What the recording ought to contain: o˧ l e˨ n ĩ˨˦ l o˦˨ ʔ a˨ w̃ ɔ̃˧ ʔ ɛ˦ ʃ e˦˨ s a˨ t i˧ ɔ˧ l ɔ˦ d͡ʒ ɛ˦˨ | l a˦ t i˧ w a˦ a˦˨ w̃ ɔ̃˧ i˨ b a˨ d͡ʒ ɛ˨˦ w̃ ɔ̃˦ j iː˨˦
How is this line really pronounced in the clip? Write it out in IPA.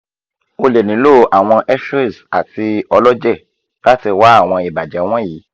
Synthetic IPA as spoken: o˧ l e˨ n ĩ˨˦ l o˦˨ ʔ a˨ w̃ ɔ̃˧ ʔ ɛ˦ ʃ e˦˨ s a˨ t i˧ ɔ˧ l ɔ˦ d͡ʒ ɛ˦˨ | l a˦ t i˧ w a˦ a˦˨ w̃ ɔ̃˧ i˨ b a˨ d͡ʒ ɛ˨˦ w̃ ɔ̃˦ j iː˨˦